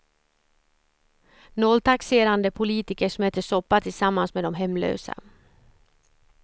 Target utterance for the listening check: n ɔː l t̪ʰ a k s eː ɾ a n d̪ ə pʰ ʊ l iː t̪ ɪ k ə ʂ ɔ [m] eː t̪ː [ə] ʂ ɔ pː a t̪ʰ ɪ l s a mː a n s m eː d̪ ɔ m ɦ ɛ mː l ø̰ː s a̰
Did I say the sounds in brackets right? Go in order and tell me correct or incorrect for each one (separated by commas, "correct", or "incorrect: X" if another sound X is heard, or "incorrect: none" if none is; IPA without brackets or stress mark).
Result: correct, correct